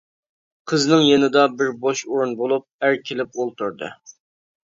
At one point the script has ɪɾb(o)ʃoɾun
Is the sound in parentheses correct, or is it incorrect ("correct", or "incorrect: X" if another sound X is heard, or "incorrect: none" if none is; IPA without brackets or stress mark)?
correct